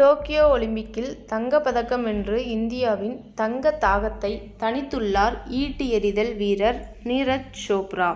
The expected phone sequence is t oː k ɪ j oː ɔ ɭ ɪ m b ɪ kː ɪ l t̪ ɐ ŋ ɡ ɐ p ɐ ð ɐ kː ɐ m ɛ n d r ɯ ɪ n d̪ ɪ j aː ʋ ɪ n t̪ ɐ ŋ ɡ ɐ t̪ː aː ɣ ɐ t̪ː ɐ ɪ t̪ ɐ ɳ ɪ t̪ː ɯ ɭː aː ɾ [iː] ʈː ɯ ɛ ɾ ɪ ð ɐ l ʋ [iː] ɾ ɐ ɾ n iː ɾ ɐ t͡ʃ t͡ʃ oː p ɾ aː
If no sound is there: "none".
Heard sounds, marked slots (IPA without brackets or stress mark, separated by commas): iː, iː